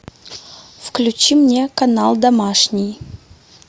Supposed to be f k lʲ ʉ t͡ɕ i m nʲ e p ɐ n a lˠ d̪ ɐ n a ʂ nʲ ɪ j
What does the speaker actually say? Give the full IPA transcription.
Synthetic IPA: f k lʲ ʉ t͡ɕ i m nʲ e k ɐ n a lˠ d̪ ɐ m a ʂ nʲ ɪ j

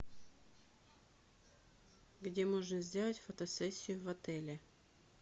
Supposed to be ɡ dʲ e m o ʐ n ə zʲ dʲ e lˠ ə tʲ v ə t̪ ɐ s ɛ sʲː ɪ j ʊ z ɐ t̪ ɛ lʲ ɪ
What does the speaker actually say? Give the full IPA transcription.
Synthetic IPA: ɡ dʲ e m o ʐ n ə zʲ dʲ e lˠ ə tʲ f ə t̪ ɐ s ɛ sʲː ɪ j ʊ v ɐ t̪ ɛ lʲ ɪ

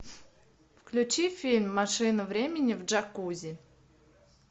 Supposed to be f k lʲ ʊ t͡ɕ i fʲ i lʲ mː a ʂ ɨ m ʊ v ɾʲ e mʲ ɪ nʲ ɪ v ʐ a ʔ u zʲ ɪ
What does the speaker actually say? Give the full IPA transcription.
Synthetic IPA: f k lʲ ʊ t͡ɕ i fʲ i lʲ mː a ʂ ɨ n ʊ v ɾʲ e mʲ ɪ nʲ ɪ v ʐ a k u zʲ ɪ

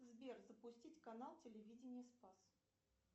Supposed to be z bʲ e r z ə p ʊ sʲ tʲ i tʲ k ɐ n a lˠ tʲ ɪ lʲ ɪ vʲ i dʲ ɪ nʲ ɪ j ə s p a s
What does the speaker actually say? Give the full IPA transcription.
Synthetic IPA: z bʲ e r z ə p ʊ sʲ tʲ i tʲ k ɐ n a lˠ tʲ ɪ lʲ ɪ vʲ i dʲ ɪ nʲ ɪ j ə s p a s

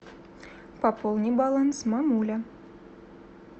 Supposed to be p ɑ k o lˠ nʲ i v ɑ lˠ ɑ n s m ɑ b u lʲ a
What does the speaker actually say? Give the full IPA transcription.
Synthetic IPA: p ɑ p o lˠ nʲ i b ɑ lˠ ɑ n s m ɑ m u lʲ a

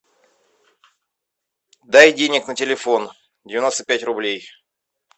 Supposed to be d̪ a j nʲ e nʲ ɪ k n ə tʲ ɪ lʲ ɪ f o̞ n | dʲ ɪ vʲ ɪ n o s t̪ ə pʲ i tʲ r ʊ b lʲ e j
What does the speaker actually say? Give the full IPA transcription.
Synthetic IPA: d̪ a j dʲ e nʲ ɪ k n ə tʲ ɪ lʲ ɪ f o̞ n | dʲ ɪ vʲ ɪ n o s t̪ ə pʲ æ tʲ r ʊ b lʲ e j

